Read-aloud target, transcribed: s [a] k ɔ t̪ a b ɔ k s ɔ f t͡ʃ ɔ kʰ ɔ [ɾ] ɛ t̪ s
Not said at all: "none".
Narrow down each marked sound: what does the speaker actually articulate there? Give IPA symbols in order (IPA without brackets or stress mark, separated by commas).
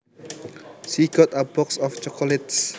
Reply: i, l